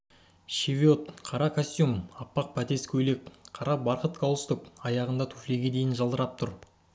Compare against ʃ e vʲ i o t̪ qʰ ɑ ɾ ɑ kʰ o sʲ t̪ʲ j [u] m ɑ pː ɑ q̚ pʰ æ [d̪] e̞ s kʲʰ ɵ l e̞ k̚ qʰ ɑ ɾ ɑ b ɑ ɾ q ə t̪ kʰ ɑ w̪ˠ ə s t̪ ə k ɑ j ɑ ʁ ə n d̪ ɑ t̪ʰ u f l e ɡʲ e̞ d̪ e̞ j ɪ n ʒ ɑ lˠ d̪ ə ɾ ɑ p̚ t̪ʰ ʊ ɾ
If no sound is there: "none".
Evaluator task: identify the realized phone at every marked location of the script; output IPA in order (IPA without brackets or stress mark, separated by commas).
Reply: u, t̪